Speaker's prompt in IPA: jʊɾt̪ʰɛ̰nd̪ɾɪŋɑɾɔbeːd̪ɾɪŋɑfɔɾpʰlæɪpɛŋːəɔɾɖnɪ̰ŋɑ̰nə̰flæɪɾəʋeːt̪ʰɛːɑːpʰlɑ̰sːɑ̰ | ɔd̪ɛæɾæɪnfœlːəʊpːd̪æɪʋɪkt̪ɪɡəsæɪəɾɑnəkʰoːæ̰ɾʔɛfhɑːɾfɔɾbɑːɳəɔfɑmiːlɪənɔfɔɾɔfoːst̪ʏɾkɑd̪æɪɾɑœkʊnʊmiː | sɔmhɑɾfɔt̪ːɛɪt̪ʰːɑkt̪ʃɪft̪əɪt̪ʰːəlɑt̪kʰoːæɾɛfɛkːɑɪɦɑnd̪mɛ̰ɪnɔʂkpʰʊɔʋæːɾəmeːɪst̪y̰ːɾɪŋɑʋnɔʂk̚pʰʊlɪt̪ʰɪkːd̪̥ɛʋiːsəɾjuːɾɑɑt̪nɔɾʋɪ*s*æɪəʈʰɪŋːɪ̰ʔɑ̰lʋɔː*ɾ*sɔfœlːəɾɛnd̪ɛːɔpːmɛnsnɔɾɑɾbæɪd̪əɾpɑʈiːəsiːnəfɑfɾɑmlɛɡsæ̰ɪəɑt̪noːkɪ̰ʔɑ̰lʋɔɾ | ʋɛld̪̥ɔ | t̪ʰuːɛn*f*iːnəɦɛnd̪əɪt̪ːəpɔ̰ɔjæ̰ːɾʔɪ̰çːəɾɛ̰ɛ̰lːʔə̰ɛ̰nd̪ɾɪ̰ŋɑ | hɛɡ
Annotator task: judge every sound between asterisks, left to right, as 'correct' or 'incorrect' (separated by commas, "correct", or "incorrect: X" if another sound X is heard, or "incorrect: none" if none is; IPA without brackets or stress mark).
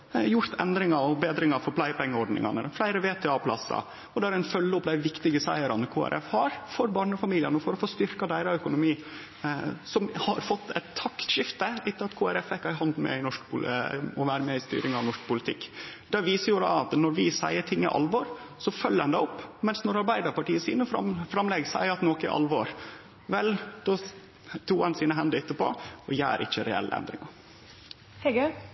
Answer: correct, correct, incorrect: s